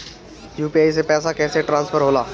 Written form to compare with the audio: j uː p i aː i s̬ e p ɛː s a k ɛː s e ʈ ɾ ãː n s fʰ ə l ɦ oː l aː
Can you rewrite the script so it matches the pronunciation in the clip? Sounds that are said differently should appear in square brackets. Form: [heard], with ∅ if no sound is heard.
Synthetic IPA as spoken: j uː p i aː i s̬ e p ɛː s a k ɛː s e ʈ ɾ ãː n s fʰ ə [ɾ] ɦ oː l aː